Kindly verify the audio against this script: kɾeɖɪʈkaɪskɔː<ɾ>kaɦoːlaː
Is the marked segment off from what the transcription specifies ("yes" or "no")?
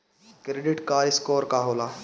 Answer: no